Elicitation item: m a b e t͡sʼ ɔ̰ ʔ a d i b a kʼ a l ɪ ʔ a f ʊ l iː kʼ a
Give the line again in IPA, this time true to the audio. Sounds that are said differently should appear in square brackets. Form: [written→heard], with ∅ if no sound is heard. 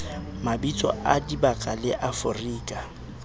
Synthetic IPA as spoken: m a b [e→i] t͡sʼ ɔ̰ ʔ a d i b a kʼ a l ɪ ʔ a f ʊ [l→r] iː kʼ a